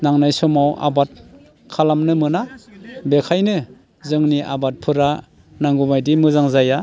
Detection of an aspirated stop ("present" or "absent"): present